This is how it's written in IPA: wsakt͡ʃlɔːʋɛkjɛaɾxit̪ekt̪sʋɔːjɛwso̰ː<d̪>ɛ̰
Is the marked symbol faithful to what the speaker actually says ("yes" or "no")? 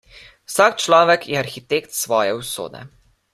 yes